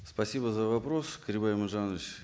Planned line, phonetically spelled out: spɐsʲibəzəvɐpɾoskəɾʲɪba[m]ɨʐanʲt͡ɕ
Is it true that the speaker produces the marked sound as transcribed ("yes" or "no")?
yes